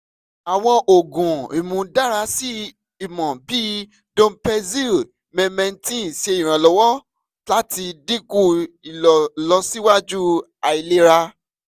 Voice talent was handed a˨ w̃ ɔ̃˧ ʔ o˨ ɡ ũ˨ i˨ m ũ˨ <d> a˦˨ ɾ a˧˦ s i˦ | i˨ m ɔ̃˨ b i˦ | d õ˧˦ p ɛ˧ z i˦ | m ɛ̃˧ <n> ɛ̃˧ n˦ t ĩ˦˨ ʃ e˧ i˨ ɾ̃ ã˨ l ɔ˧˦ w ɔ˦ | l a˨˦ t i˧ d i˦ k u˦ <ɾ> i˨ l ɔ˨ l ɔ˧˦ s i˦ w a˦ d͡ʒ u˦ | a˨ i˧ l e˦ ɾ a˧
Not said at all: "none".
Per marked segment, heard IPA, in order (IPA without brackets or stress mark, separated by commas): d, m, none